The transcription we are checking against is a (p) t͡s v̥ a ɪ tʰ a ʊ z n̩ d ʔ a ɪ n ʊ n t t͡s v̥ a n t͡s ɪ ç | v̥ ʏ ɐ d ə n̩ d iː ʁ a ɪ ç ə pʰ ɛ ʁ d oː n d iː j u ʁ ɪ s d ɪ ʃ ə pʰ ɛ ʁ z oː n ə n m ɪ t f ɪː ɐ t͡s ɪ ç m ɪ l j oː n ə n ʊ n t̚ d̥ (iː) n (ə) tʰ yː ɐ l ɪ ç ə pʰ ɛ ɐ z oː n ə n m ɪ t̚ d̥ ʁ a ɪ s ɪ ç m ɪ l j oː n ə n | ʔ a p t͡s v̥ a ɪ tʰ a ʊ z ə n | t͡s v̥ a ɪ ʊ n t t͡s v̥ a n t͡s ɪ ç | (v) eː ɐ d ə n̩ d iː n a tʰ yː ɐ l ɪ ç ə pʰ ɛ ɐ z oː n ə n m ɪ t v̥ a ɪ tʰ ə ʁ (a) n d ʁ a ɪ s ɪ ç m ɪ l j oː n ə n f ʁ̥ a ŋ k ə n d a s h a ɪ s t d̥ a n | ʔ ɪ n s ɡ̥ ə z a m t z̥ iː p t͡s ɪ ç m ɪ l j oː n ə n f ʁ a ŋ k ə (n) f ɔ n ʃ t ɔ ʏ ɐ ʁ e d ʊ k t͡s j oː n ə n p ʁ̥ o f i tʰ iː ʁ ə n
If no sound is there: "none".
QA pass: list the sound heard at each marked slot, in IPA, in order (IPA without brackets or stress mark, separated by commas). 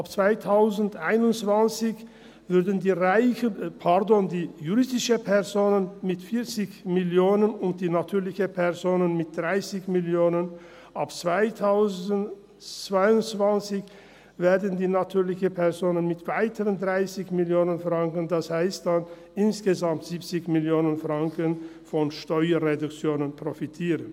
p, iː, a, v, ə, n